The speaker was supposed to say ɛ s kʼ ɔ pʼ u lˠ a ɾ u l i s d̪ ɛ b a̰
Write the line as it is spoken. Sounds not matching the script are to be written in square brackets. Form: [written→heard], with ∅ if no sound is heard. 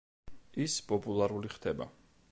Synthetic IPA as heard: [ɛ→i] s [kʼ→pʼ] ɔ pʼ u lˠ a ɾ u l i [s→χ] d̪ ɛ b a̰